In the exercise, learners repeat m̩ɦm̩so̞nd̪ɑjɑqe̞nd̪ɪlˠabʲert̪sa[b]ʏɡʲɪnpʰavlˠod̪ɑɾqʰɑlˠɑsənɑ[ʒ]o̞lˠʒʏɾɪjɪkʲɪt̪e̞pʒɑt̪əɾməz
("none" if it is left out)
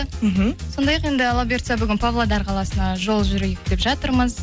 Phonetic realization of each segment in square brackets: b, ʒ

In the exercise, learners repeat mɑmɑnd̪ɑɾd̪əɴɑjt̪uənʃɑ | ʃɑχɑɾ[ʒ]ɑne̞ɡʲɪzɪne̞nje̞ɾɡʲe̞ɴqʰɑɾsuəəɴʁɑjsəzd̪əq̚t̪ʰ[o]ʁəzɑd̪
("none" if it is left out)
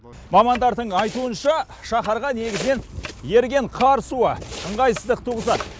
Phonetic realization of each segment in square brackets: ʁ, u

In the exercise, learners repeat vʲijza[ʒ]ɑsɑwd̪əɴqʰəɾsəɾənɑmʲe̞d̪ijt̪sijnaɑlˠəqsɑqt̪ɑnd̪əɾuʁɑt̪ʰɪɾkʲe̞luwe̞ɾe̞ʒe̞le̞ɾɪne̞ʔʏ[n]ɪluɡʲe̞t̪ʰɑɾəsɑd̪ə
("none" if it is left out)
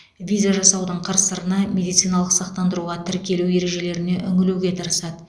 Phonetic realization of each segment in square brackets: ʒ, ŋ

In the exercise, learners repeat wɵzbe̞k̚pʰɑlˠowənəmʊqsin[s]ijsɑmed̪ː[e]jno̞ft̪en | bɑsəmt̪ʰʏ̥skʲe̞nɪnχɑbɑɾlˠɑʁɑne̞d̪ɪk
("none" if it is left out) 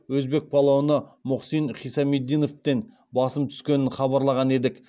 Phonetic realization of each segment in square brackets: χ, i

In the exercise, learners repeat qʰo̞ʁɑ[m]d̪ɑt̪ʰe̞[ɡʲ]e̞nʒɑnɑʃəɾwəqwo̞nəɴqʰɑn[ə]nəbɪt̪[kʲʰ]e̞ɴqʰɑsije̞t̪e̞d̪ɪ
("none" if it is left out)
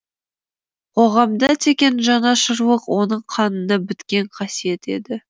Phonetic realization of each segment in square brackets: m, kʲ, ə, kʲ

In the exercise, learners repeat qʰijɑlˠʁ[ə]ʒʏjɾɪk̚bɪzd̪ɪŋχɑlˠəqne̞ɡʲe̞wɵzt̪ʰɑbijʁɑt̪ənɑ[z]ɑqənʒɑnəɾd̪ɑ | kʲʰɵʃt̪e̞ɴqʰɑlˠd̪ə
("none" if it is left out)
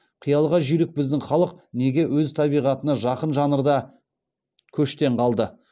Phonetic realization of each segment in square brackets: ɑ, ʒ

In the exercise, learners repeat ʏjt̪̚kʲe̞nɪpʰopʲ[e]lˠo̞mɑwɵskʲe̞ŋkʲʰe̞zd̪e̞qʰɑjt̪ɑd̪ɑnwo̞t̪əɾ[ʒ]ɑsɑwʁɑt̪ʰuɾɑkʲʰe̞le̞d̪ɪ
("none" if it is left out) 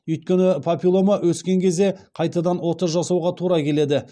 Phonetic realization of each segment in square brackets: i, ʒ

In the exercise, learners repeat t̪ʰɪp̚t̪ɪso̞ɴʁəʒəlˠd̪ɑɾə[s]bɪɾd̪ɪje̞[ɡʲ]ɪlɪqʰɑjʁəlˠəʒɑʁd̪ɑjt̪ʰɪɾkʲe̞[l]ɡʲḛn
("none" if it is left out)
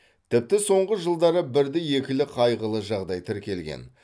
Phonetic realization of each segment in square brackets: none, kʲ, l

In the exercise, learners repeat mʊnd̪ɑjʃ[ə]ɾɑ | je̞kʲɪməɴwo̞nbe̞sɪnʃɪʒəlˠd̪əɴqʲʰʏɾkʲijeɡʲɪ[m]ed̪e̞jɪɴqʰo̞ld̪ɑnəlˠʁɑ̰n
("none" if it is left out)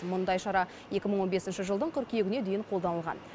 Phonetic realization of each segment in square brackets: ɑ, n

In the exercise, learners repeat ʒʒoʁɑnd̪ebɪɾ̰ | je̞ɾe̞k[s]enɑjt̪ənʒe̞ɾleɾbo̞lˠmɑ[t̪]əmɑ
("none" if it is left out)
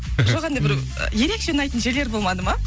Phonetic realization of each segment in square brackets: ʃ, d̪

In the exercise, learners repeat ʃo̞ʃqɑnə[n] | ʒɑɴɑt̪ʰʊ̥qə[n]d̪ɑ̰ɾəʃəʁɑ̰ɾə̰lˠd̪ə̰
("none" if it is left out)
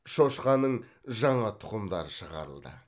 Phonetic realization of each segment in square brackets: ɴ, m

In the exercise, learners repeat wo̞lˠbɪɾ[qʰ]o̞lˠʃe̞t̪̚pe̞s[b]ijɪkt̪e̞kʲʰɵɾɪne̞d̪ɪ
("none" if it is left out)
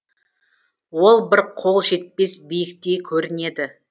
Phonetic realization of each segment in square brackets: qʰ, b

